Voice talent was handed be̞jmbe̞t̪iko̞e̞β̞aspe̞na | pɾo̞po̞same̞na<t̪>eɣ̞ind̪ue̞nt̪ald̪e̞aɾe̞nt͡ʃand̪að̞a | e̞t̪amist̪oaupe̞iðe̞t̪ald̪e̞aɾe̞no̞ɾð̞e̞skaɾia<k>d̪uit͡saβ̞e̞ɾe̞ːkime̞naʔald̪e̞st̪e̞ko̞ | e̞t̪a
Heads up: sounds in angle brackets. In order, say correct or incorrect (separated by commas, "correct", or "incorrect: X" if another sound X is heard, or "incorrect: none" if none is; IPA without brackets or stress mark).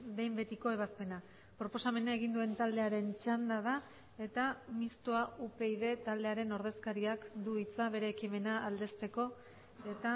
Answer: incorrect: none, correct